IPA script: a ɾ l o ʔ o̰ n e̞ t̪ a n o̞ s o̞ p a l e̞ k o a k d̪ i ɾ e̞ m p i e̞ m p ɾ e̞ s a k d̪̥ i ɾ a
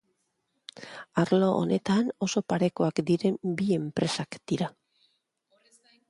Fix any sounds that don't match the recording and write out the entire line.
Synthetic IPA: a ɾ l o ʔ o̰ n e̞ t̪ a n o̞ s o̞ p a ɾ e̞ k o a k d̪ i ɾ e̞ m b i e̞ m p ɾ e̞ s a k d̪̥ i ɾ a